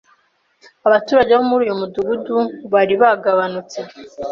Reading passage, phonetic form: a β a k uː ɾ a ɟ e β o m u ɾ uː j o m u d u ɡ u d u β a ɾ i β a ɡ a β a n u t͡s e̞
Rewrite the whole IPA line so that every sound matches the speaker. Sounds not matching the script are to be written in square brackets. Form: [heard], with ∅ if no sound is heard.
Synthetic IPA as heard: a β a [t] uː ɾ a ɟ e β o m u ɾ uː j o m u d u ɡ u d u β a ɾ i β a ɡ a β a n u t͡s e̞